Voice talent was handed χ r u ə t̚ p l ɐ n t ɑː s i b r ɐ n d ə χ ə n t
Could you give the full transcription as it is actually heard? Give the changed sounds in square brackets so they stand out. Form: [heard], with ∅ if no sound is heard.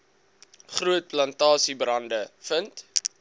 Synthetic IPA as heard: χ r u ə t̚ p l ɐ n t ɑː s i b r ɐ n d ə [f] ə n t